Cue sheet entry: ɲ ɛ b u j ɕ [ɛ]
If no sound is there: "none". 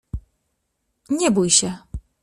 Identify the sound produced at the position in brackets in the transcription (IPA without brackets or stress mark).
ɛ